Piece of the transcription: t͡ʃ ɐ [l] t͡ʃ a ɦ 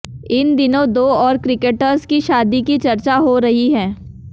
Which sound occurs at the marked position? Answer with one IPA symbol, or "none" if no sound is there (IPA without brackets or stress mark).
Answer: ɾ